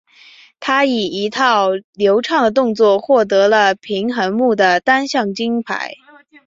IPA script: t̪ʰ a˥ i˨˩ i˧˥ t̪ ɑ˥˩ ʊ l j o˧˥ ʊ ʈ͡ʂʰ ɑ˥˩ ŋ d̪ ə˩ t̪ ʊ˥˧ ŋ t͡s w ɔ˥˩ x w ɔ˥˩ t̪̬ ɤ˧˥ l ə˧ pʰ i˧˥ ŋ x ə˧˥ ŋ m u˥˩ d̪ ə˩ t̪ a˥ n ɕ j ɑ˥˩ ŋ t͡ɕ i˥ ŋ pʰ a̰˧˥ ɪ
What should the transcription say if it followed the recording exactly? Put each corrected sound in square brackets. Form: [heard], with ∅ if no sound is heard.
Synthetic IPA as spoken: t̪ʰ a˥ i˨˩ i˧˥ [t̪ʰ] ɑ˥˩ ʊ l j o˧˥ ʊ ʈ͡ʂʰ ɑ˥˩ ŋ d̪ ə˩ t̪ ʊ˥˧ ŋ t͡s w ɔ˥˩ x w ɔ˥˩ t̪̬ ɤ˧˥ l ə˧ pʰ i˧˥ ŋ x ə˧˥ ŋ m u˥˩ d̪ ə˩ t̪ a˥ n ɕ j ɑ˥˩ ŋ t͡ɕ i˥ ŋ pʰ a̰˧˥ ɪ